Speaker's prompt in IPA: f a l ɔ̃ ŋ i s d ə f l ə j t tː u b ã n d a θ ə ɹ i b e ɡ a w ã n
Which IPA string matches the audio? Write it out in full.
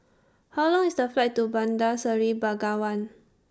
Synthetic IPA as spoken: h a l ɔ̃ ŋ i s d ə f l a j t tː u b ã n d a s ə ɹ i b a ɡ a w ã n